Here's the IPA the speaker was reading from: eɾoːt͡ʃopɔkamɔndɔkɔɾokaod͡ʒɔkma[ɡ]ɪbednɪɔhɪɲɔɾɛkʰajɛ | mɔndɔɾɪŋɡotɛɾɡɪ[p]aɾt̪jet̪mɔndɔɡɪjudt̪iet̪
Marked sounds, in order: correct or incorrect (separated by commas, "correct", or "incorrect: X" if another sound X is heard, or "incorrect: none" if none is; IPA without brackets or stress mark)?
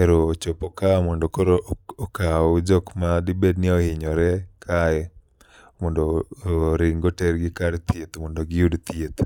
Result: incorrect: d, incorrect: k